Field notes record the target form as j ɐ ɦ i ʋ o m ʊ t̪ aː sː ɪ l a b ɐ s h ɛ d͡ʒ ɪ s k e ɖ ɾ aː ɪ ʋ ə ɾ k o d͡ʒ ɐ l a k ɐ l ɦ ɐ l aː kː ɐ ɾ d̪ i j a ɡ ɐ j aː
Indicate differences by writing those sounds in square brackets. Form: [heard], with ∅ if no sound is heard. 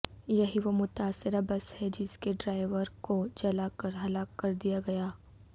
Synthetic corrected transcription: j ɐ ɦ i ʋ o m ʊ t̪ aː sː ɪ [ɾ] a b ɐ s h ɛ d͡ʒ ɪ s k e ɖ ɾ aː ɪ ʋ ə ɾ k o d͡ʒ ɐ l a k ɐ [ɾ] ɦ ɐ l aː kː ɐ ɾ d̪ i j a ɡ ɐ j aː